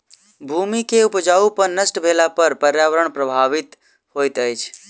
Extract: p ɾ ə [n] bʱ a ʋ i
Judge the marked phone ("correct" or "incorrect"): incorrect